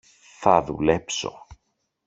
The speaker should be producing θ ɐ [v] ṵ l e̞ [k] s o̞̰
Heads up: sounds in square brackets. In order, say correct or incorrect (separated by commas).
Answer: incorrect, incorrect